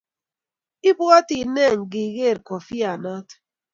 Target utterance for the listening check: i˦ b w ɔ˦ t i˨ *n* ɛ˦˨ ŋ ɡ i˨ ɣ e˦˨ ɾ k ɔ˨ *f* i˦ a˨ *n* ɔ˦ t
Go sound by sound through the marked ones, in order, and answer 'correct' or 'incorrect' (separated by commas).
correct, correct, correct